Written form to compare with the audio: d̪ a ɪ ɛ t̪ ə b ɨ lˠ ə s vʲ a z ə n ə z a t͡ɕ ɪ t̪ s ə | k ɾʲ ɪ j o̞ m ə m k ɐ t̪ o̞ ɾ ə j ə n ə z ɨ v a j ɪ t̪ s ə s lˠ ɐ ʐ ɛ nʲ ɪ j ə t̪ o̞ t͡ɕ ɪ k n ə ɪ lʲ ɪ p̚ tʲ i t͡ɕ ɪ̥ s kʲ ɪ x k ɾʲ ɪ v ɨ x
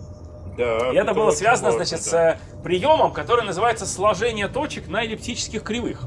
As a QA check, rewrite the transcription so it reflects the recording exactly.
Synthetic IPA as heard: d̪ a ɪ ɛ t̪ ə b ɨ lˠ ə s vʲ a z ə n ə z a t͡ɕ ɪ t̪ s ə | p ɾʲ ɪ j o̞ m ə m k ɐ t̪ o̞ ɾ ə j ə n ə z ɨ v a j ɪ t̪ s ə s lˠ ɐ ʐ ɛ nʲ ɪ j ə t̪ o̞ t͡ɕ ɪ k n ə ɪ lʲ ɪ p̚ tʲ i t͡ɕ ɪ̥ s kʲ ɪ x k ɾʲ ɪ v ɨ x